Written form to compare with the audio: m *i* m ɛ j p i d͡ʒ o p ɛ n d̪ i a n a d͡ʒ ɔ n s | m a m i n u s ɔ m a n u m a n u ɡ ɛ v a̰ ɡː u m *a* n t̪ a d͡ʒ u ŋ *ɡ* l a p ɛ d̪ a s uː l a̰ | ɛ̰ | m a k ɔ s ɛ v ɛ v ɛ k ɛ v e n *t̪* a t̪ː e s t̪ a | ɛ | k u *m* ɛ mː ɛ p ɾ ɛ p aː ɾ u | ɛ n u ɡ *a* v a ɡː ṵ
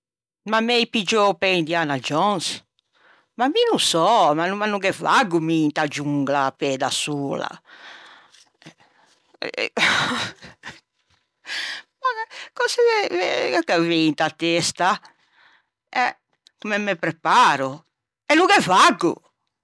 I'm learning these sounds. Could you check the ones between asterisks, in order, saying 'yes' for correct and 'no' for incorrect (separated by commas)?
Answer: no, no, yes, yes, yes, no